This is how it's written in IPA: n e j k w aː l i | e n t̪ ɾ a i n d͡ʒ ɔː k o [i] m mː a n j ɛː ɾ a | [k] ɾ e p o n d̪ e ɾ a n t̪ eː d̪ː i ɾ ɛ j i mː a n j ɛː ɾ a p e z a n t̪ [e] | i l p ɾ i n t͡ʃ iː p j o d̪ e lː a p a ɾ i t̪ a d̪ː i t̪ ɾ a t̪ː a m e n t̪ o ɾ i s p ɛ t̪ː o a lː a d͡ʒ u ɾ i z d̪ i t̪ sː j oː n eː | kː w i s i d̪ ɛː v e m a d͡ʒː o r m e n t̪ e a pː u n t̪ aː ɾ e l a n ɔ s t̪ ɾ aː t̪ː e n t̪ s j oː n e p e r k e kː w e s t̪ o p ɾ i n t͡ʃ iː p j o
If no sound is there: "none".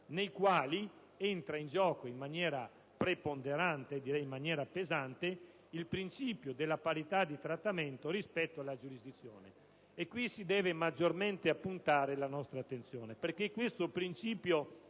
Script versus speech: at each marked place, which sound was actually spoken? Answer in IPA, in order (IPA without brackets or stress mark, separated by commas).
i, p, e